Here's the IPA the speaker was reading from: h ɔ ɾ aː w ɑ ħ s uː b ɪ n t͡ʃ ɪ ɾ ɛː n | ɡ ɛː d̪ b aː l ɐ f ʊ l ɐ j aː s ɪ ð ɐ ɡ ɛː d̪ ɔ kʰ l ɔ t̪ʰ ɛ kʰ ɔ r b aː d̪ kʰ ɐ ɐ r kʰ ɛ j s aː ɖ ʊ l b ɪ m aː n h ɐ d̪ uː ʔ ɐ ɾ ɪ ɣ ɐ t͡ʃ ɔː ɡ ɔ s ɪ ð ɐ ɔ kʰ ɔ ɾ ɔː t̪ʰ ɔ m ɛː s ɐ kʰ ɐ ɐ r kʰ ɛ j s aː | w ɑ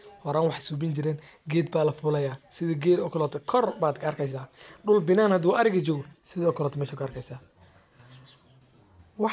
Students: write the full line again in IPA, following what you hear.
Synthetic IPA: h ɔ ɾ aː w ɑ ħ s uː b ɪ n t͡ʃ ɪ ɾ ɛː n | ɡ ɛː d̪ b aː l ɐ f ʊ l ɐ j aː s ɪ ð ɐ ɡ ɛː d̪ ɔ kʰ l ɔ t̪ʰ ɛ kʰ ɔ r b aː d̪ kʰ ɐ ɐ r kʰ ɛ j s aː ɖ ʊ l b ɪ n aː n h ɐ d̪ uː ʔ ɐ ɾ ɪ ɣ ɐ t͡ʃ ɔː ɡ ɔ s ɪ ð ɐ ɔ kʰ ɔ l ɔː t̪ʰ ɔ m ɛː ʃ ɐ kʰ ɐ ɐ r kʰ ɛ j s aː | w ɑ